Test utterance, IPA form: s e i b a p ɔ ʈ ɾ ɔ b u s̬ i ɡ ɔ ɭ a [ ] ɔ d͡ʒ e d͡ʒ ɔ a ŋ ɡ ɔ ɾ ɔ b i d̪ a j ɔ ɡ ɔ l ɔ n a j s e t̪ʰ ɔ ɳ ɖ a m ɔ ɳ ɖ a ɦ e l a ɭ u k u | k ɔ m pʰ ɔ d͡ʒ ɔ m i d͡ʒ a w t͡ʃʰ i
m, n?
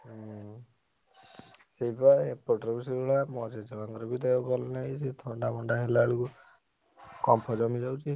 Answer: m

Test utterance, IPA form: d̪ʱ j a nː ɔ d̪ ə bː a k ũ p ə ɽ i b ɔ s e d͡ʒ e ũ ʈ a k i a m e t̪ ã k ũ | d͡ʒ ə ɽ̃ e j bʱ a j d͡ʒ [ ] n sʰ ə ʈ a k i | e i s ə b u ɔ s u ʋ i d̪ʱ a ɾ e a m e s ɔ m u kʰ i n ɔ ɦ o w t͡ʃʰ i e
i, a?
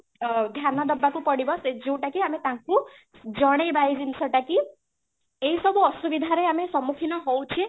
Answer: i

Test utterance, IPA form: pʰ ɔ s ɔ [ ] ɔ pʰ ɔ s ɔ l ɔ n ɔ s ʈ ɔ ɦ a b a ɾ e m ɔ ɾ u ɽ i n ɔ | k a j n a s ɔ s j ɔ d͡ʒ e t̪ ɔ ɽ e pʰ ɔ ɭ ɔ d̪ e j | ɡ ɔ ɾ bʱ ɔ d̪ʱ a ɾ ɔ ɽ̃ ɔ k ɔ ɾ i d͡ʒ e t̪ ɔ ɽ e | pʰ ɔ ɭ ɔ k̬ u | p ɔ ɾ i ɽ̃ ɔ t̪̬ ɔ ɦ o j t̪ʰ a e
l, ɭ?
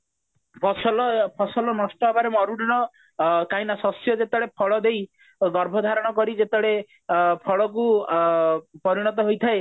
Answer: l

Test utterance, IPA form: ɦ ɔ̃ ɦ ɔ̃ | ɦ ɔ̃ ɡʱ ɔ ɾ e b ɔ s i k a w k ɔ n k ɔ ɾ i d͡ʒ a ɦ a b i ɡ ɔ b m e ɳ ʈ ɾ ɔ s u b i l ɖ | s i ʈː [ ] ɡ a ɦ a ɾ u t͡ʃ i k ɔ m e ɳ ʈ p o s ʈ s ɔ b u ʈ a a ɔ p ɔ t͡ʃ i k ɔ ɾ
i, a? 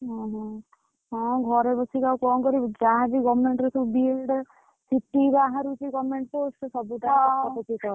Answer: i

